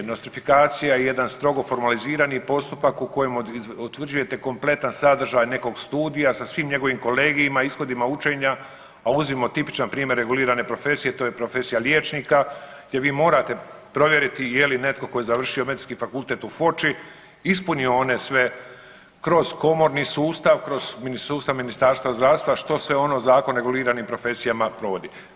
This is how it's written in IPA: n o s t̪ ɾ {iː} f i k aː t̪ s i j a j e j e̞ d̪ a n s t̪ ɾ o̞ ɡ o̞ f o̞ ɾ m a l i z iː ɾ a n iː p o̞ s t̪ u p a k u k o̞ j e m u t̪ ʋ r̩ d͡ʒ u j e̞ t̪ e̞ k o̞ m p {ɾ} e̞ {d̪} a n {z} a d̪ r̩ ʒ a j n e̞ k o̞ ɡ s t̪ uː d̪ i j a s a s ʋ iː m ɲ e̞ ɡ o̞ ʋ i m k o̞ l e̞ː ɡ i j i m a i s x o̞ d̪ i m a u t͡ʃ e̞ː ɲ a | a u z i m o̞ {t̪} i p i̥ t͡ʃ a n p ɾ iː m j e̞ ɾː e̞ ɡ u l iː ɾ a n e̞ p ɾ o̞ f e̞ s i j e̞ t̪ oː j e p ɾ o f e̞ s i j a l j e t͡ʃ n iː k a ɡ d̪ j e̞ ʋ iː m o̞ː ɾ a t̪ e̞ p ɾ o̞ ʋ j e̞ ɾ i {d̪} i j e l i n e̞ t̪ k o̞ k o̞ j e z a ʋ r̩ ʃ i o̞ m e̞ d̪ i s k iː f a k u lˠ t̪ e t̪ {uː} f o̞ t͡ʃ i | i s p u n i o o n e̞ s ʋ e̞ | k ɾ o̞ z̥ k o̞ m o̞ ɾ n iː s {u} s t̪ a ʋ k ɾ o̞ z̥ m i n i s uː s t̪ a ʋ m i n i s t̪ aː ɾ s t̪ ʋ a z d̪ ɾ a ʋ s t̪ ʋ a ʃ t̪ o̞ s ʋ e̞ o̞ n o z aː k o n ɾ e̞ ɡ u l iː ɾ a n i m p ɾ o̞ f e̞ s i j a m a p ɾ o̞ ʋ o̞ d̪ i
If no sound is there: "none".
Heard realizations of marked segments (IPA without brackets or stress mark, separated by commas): i, l, t̪, s, t̪, t̪, u, uː